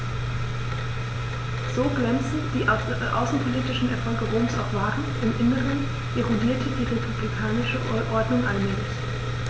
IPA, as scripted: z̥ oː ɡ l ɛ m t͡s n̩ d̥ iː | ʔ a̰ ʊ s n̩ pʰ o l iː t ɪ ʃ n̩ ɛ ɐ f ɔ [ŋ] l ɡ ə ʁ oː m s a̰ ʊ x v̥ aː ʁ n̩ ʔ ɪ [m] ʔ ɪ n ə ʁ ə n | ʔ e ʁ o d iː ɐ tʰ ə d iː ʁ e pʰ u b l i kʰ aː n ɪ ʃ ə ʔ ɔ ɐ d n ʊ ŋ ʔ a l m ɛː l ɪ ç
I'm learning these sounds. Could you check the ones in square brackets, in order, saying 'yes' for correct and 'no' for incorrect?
no, yes

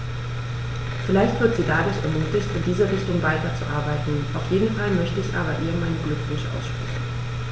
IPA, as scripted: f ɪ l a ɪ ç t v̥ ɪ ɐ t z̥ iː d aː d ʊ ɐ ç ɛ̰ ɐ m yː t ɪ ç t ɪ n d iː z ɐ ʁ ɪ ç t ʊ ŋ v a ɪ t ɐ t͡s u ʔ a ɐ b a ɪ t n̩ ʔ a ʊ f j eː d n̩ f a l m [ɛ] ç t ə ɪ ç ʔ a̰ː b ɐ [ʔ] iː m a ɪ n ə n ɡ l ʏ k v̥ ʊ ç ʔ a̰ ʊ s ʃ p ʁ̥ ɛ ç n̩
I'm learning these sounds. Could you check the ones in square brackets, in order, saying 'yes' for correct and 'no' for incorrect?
no, yes

